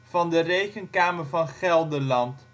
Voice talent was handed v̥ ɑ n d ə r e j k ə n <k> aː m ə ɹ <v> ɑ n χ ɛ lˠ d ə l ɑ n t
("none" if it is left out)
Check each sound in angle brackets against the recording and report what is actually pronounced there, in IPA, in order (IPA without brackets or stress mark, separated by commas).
k, v